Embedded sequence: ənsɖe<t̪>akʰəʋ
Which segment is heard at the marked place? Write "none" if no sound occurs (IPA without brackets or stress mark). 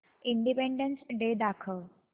d̪